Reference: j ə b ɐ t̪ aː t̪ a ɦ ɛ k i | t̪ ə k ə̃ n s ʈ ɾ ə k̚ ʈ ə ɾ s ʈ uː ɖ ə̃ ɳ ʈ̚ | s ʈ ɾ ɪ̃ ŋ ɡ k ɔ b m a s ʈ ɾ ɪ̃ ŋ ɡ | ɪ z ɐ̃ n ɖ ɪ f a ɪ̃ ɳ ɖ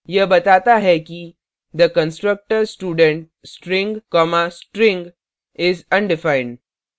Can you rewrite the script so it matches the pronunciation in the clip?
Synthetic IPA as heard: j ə b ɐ t̪ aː t̪ a ɦ ɛ k i | d̪ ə k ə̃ n s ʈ ɾ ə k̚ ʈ ə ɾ s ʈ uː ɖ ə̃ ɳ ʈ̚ | s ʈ ɾ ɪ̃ ŋ ɡ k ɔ m a s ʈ ɾ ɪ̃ ŋ ɡ | ɪ z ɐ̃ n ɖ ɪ f a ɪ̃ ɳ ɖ